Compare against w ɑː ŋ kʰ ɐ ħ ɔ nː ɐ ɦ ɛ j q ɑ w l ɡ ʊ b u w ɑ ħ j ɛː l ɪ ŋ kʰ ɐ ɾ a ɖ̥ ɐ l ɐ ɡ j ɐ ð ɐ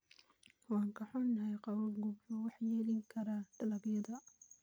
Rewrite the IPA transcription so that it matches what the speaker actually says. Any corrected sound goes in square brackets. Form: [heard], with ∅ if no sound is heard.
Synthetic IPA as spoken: w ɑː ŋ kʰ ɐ ħ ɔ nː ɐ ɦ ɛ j q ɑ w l ɡ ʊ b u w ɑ ħ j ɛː l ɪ ŋ kʰ ɐ ɾ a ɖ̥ ɐ l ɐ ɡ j ɐ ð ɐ